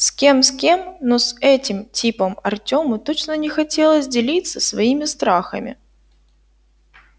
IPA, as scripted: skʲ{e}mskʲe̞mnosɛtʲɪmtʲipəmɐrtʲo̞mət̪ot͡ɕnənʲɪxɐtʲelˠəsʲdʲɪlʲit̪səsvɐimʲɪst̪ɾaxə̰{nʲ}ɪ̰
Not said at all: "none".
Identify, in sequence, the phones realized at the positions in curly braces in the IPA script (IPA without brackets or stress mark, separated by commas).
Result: e, mʲ